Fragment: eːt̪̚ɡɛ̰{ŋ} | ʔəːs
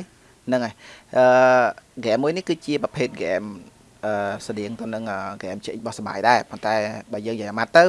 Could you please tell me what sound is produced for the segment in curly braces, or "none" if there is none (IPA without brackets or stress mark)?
m